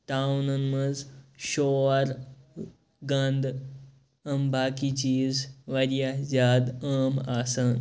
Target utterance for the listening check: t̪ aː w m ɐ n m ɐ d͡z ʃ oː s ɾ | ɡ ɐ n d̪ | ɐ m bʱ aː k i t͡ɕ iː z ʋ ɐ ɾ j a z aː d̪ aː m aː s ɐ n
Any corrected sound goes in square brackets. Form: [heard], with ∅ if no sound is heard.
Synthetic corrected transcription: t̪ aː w [n] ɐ n m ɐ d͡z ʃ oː [∅] ɾ | ɡ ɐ n d̪ | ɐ m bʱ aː k i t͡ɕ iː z ʋ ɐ ɾ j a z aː d̪ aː m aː s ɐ n